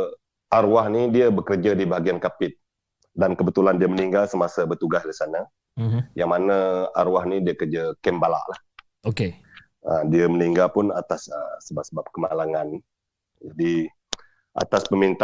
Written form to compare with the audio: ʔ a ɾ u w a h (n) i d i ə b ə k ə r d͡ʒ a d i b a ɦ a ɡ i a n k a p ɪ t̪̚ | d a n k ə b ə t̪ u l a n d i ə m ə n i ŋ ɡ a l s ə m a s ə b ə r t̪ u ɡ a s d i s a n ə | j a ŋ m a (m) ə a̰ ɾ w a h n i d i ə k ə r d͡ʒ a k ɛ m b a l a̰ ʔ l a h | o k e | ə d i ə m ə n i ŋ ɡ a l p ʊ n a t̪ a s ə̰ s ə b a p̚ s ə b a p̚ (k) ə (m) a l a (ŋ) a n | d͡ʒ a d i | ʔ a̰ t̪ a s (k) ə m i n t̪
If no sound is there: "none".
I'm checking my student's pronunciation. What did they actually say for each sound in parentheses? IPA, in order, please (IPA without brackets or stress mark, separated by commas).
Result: n, n, k, m, ŋ, p